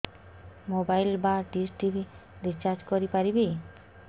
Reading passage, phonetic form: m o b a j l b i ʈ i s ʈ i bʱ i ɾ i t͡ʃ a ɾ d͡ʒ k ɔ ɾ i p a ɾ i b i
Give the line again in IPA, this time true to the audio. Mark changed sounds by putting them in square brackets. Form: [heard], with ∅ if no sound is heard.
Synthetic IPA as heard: m o b a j l b [a] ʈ i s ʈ i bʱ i ɾ i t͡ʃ a ɾ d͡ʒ k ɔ ɾ i p a ɾ i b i